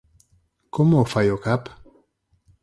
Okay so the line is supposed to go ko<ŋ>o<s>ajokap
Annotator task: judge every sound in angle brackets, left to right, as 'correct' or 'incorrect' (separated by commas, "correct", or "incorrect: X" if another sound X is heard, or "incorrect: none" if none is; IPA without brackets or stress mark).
incorrect: m, incorrect: f